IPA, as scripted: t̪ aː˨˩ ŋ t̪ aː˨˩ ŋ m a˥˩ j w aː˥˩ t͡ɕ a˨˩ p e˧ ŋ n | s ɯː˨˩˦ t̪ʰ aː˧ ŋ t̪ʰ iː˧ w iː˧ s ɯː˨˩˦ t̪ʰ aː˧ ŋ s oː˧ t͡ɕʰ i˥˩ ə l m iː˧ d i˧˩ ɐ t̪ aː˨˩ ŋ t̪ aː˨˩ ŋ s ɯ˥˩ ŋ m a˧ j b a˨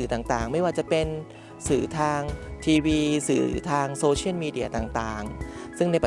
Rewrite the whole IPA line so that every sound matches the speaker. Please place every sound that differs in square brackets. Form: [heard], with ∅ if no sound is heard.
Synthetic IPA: t̪ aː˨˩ ŋ t̪ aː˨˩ ŋ m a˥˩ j w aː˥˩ t͡ɕ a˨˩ p e˧ [∅] n | s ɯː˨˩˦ t̪ʰ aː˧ ŋ t̪ʰ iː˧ w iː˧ s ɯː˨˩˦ t̪ʰ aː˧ ŋ s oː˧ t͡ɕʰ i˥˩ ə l m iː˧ d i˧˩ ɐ t̪ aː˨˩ ŋ t̪ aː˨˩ ŋ s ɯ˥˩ ŋ [n] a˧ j [p] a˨